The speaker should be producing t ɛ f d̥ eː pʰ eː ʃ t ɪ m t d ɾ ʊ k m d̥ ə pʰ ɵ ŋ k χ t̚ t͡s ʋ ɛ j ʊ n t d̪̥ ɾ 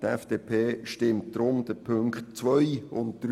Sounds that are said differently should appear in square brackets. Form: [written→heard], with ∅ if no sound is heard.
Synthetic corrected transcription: t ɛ f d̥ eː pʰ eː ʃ t ɪ m t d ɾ ʊ [k→∅] m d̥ ə pʰ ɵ ŋ k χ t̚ t͡s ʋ [ɛ→œ] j ʊ n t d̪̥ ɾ